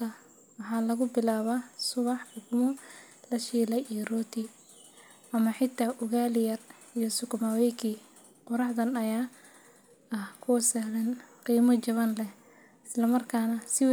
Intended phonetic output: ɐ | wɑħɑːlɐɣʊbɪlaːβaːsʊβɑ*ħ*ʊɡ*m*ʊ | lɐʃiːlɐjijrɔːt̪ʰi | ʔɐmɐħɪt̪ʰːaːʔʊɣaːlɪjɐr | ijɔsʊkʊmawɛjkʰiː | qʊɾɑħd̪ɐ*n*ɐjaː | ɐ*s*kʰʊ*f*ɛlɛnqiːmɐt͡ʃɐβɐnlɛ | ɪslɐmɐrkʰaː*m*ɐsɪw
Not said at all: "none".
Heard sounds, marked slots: ħ, m, n, h, s, n

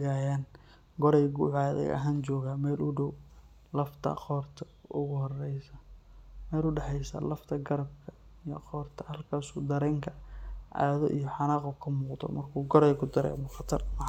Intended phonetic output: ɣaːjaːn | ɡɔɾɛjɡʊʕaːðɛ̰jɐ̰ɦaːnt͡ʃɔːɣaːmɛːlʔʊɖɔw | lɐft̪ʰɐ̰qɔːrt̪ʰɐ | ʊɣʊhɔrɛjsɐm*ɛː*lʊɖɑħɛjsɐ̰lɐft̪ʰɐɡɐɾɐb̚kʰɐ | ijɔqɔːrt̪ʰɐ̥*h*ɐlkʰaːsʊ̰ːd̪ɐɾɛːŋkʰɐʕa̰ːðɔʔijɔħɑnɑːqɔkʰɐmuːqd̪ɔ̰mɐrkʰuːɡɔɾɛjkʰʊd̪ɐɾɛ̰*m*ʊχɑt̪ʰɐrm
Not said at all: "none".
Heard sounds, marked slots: ɛː, h, m

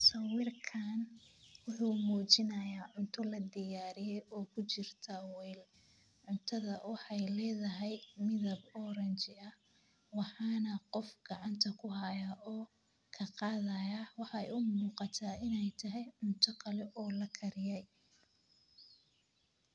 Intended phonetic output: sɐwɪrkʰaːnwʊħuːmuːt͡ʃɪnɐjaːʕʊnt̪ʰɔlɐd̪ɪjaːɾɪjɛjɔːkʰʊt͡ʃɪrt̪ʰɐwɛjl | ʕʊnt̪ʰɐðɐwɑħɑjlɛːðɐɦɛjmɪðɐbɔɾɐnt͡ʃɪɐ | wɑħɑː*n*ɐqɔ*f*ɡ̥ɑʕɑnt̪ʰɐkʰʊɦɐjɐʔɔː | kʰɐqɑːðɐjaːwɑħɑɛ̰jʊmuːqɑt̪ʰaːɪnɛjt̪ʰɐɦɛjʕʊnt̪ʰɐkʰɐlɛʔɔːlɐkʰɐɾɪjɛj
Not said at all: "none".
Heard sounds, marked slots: n, f

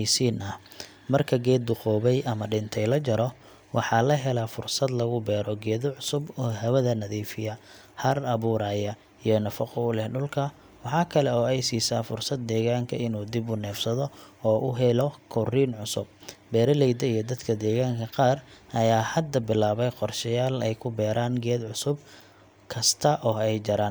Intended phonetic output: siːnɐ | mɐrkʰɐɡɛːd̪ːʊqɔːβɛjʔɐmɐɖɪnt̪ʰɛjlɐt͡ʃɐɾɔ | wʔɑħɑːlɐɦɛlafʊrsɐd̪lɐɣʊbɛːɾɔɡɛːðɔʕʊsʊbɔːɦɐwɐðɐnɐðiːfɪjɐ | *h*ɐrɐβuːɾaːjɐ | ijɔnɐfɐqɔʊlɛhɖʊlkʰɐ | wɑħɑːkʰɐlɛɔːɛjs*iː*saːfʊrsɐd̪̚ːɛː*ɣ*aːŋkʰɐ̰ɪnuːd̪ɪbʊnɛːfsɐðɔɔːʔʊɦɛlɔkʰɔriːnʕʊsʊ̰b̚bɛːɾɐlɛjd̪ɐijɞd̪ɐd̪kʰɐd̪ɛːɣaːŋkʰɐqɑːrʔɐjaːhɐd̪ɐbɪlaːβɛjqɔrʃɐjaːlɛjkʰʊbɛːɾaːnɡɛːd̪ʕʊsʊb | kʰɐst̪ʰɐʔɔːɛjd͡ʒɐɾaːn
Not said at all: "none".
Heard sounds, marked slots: h, iː, ɣ

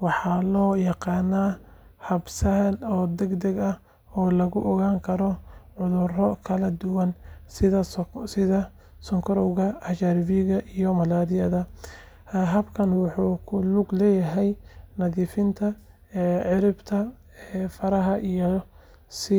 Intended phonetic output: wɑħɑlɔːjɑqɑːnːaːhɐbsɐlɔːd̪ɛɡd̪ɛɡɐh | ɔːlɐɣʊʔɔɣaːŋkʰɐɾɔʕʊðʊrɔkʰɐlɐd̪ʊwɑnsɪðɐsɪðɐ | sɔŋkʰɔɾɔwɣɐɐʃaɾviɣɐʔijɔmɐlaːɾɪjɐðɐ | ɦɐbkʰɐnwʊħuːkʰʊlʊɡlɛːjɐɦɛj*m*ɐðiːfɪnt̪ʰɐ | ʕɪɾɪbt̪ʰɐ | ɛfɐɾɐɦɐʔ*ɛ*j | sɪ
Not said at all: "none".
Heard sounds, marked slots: n, i

